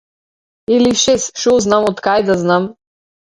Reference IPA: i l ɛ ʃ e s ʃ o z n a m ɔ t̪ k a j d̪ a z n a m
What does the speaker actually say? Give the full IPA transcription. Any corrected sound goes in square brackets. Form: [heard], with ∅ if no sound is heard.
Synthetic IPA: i l [i] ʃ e s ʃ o z n a m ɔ t̪ k a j d̪ a z n a m